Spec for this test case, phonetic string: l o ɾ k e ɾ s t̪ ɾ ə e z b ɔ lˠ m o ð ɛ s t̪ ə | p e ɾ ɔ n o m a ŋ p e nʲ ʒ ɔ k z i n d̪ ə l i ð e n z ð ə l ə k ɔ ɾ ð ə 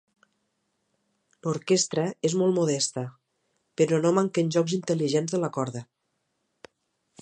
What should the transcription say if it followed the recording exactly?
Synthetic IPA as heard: l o ɾ k e s t̪ ɾ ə e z m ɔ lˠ m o ð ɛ s t̪ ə | p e ɾ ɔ n o m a ŋ k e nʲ ʒ ɔ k z i n t̪ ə l i ʒ e n z ð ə l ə k ɔ ɾ ð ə